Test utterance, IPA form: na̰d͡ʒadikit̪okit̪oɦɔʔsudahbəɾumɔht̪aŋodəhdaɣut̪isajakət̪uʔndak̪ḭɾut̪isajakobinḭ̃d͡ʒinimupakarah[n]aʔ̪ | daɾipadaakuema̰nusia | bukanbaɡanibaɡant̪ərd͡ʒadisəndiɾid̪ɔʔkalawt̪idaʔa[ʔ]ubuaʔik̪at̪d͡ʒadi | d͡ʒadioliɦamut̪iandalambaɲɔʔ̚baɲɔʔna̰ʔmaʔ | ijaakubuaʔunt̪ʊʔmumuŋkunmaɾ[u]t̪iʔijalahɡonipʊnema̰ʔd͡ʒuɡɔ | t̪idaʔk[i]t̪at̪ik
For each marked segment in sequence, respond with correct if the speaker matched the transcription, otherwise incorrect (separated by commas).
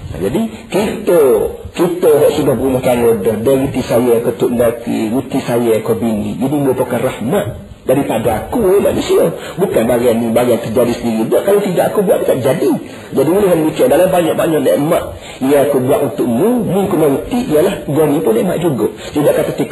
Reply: incorrect, incorrect, correct, incorrect